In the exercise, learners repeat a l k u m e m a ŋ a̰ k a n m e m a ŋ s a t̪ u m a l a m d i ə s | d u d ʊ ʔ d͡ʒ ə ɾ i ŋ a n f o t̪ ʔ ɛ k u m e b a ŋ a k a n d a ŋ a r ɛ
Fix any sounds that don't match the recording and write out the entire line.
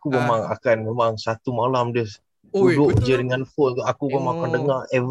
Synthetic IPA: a k u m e m a ŋ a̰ k a n m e m a ŋ s a t̪ u m a l a m d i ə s | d u d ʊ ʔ d͡ʒ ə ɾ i ŋ a n f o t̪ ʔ a k u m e m a ŋ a k a n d ə ŋ a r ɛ